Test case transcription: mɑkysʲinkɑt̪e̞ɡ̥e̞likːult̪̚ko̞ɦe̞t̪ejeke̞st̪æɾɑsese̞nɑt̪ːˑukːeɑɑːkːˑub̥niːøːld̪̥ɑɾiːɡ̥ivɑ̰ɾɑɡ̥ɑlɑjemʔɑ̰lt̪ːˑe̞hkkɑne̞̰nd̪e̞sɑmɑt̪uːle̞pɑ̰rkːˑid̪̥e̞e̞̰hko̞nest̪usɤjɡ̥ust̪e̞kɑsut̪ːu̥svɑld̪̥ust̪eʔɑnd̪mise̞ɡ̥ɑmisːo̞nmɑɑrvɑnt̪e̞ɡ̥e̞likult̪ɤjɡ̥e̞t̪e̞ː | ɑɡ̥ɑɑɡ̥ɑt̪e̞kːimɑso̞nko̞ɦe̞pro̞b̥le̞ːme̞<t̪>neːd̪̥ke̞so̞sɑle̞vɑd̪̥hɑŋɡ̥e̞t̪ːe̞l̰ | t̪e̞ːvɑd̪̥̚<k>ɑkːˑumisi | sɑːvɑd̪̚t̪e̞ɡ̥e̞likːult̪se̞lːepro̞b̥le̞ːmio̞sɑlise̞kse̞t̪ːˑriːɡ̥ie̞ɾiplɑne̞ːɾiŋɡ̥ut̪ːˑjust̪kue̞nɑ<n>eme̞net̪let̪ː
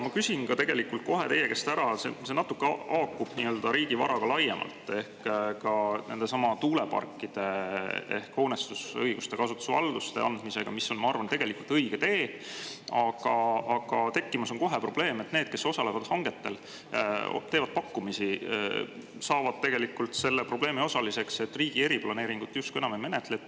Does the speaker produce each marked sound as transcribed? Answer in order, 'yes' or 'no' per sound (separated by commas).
yes, no, no